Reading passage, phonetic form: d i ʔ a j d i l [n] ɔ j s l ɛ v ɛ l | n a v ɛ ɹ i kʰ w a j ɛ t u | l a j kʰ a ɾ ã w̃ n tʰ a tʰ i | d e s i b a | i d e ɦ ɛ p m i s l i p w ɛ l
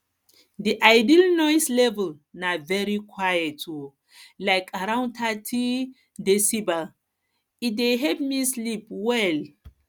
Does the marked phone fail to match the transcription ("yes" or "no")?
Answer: no